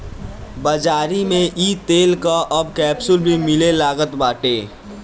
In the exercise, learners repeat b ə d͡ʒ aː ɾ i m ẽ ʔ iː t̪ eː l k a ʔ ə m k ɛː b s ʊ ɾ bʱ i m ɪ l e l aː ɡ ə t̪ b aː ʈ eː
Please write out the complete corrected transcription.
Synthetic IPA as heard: b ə d͡ʒ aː ɾ i m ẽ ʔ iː t̪ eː l k a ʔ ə b k ɛː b s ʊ l bʱ i m ɪ l e l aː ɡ ə t̪ b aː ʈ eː